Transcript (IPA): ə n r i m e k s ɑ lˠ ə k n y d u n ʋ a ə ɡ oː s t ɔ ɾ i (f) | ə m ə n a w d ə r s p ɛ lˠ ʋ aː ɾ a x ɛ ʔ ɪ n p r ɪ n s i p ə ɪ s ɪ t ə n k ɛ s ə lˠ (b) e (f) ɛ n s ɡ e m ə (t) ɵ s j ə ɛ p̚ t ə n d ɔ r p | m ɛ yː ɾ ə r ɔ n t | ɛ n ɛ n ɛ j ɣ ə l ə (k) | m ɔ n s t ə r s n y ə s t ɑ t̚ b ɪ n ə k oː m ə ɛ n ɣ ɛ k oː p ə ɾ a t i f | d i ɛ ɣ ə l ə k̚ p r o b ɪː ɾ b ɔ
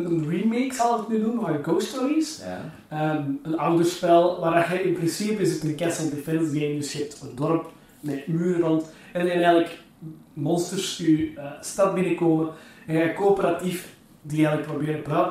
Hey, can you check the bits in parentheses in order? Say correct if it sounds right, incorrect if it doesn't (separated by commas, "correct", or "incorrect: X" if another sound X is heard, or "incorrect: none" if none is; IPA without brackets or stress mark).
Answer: incorrect: s, incorrect: d, correct, incorrect: d, correct